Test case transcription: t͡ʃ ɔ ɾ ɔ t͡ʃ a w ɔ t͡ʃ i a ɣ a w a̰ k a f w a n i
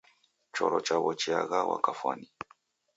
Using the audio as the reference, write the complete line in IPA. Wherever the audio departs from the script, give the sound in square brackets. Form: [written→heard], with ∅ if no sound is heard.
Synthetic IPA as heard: t͡ʃ ɔ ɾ ɔ t͡ʃ a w ɔ t͡ʃ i a ɣ a w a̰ k a f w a n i